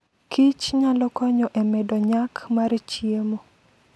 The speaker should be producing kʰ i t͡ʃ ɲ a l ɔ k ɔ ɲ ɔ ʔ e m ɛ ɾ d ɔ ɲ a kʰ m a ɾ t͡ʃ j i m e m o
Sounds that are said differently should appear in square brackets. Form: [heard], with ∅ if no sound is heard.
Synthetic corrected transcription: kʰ i t͡ʃ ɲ a l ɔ k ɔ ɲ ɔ ʔ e m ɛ [∅] d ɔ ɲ a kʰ m a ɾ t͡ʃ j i [∅] e m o